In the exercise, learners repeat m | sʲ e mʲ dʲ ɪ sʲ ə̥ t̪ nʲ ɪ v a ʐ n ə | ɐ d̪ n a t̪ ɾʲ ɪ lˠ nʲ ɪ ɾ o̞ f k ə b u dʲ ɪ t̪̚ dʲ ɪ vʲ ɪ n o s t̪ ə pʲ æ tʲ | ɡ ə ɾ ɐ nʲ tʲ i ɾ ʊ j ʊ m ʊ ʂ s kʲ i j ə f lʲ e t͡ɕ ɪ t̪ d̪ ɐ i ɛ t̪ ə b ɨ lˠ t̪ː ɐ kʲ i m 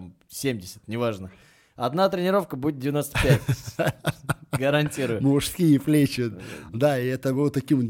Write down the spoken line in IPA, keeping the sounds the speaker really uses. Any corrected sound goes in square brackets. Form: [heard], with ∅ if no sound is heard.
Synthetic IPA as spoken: m | sʲ e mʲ dʲ ɪ sʲ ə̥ t̪ nʲ ɪ v a ʐ n ə | ɐ d̪ n a t̪ ɾʲ ɪ [∅] nʲ ɪ ɾ o̞ f k ə b u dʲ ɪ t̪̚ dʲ ɪ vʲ ɪ n o s t̪ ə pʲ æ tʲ | ɡ ə ɾ ɐ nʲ tʲ i ɾ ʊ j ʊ m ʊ ʂ s kʲ i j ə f lʲ e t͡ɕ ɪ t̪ d̪ [a] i ɛ t̪ ə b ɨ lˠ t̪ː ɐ kʲ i m